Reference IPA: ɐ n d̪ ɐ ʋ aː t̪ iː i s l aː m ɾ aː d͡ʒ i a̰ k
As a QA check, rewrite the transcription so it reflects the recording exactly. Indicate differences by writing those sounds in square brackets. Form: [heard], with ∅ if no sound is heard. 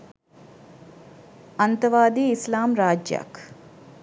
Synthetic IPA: ɐ n [t̪] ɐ ʋ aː [d̪] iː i s l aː m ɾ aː d͡ʒ [j] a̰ k